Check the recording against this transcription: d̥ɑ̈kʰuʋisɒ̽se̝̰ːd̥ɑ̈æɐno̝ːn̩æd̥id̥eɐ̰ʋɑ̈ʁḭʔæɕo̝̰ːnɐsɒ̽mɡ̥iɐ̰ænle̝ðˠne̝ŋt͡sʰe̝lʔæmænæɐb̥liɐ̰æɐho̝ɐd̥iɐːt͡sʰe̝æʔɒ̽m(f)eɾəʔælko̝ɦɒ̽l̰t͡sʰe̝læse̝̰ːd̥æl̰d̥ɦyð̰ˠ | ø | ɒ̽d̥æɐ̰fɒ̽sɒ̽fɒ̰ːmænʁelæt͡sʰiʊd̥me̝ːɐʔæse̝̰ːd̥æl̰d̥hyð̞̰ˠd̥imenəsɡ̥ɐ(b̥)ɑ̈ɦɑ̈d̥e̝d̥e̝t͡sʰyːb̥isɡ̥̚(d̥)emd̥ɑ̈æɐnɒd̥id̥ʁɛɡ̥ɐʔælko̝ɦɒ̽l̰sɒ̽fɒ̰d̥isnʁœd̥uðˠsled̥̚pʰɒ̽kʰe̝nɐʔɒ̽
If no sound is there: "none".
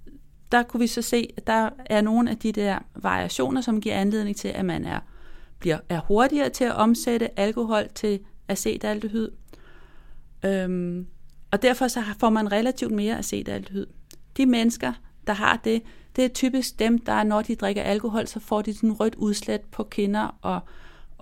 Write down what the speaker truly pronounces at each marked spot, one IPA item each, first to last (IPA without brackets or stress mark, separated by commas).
s, d̥, d̥